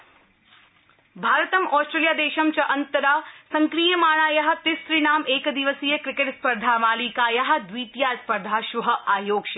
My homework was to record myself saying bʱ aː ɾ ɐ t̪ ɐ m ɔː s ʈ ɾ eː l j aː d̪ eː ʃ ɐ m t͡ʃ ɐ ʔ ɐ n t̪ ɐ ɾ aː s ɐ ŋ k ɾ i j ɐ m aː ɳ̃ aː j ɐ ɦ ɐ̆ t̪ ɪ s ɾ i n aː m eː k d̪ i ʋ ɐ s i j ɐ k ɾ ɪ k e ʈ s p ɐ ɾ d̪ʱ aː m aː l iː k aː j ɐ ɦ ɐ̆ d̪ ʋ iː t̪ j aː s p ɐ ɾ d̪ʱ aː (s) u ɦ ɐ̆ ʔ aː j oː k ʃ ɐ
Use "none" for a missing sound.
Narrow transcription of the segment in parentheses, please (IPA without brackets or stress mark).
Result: ʃ